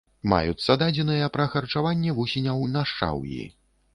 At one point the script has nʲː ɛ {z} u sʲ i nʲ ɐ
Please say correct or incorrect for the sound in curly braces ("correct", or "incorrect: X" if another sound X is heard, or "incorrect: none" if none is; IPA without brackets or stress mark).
incorrect: v